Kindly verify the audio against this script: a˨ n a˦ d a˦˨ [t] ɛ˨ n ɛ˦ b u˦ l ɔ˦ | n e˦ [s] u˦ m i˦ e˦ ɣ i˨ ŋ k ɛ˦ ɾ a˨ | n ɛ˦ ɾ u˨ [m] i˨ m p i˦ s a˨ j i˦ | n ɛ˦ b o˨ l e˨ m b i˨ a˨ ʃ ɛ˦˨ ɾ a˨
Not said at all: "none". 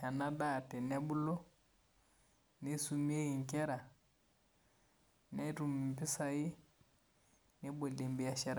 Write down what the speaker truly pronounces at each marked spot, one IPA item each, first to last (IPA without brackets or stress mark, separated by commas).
t, s, m